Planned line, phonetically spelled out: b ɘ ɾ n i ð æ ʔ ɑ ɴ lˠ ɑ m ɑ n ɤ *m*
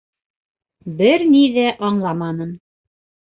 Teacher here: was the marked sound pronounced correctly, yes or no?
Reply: no